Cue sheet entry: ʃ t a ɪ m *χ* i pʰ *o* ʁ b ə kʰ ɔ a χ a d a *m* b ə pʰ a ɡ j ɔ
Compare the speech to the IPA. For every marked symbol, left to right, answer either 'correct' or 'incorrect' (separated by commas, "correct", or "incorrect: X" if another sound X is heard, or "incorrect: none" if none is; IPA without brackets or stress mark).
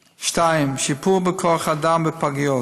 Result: incorrect: ʃ, incorrect: u, correct